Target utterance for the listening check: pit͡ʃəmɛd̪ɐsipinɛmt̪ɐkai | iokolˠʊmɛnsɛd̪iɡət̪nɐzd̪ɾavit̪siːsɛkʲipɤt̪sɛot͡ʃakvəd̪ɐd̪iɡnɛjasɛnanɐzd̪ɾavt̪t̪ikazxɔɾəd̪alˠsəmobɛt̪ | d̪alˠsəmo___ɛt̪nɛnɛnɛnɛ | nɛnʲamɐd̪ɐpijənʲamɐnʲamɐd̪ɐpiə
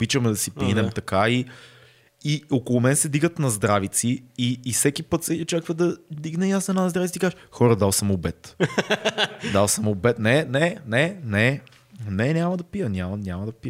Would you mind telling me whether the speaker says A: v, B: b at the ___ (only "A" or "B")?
B